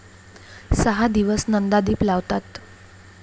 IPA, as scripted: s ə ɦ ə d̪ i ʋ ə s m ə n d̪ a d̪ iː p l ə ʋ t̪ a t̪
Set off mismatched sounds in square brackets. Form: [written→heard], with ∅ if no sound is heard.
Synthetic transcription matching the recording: s ə ɦ [ə→a] d̪ i ʋ ə s [m→n] ə n d̪ a d̪ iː p l [ə→a] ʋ t̪ a t̪

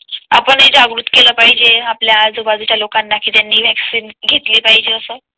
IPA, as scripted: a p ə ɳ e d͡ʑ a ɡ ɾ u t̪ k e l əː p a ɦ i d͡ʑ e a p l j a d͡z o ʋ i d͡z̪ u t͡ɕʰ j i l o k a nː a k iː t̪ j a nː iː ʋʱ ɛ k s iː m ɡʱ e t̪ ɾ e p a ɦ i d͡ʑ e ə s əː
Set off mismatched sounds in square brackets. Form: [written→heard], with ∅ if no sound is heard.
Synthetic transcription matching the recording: a p ə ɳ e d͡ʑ a ɡ ɾ u t̪ k e l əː p a ɦ i d͡ʑ e a p l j a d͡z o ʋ [i→a] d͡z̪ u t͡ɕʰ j [i→a] l o k a nː a k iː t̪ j a nː iː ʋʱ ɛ k s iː [m→n] ɡʱ e t̪ [ɾ→l] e p a ɦ i d͡ʑ e ə s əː

